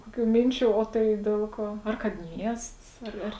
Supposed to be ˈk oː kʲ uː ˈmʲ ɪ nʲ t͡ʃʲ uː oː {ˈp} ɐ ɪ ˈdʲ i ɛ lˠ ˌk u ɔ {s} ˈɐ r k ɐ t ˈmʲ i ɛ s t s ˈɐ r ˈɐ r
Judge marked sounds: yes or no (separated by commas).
no, no